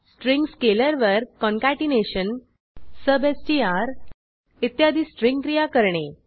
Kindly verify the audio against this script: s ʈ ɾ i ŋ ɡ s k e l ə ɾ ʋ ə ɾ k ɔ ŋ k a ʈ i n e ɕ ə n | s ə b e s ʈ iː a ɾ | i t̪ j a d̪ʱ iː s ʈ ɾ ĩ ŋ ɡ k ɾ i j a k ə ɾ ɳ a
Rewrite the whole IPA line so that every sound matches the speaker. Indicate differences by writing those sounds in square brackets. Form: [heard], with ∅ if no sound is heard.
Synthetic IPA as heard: s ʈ ɾ i ŋ ɡ s k e l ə ɾ ʋ ə ɾ k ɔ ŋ k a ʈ i n e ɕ ə n | s ə b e s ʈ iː a ɾ | i t̪ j a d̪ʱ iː s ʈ ɾ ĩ ŋ ɡ k ɾ i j a k ə ɾ ɳ [e]